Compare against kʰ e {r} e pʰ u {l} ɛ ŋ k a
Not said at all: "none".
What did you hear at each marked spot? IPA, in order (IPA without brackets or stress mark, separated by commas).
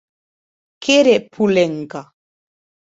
ɾ, l